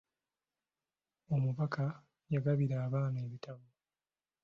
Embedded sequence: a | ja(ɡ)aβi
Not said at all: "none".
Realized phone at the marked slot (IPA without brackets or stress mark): ɡ